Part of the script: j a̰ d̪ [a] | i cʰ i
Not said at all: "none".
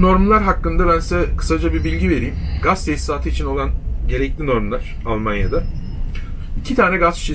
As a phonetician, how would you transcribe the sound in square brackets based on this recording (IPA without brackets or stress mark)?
a